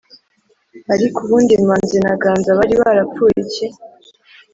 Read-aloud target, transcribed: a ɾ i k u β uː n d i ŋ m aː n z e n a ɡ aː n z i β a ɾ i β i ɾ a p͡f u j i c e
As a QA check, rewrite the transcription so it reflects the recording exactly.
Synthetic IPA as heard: a ɾ i k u β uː n d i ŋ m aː n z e n a ɡ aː n z a β a ɾ i β a ɾ a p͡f u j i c e

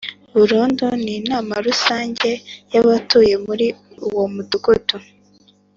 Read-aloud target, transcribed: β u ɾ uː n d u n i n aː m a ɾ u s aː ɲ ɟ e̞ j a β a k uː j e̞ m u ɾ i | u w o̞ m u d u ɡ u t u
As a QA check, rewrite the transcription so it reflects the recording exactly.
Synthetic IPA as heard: β u ɾ uː n d u n i n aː m a ɾ u s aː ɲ ɟ e̞ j a β a t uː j e̞ m u ɾ i | u w o̞ m u d u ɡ u t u

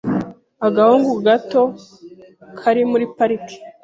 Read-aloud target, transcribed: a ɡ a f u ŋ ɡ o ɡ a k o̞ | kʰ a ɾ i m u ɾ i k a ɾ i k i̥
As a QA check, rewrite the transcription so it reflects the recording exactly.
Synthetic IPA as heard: a ɡ a h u ŋ ɡ u ɡ a t o̞ | kʰ a ɾ i m u ɾ i p a ɾ i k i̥

